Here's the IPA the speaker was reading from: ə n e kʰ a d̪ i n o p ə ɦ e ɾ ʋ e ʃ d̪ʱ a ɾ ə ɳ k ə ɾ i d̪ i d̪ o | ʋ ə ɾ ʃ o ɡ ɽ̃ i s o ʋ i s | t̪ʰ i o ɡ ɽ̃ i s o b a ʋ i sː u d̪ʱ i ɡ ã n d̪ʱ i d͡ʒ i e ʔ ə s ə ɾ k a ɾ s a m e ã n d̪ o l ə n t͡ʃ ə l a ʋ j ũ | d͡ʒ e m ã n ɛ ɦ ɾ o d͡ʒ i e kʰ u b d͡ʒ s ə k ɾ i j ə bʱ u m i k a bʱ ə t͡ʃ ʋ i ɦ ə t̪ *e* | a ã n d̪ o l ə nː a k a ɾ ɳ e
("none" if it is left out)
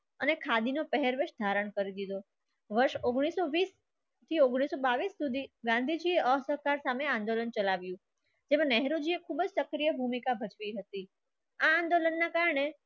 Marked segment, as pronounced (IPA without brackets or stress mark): i